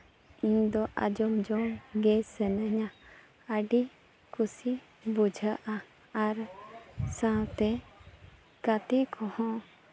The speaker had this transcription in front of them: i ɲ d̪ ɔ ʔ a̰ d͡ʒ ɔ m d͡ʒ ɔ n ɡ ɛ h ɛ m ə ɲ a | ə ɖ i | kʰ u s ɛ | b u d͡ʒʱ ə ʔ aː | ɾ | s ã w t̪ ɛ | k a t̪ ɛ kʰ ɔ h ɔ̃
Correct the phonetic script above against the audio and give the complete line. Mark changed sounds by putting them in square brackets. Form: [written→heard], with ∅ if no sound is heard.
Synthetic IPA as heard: i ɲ d̪ ɔ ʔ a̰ d͡ʒ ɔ m d͡ʒ ɔ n ɡ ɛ [h→s] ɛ [m→n] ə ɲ a | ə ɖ i | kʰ u s [ɛ→i] | b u d͡ʒʱ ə ʔ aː | ɾ | s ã w t̪ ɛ | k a t̪ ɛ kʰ ɔ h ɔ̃